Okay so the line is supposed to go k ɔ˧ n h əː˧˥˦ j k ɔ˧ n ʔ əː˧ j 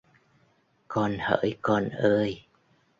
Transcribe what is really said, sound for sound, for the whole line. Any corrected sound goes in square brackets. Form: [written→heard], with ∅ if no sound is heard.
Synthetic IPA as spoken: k ɔ˧ n h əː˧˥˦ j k ɔ˧ n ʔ əː˧ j